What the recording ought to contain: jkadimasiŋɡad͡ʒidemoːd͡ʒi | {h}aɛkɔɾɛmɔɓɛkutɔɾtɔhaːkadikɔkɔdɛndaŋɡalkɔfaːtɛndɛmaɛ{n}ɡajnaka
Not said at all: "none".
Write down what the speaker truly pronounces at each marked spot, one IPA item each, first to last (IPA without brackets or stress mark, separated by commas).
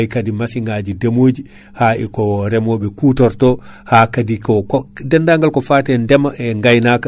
h, ŋ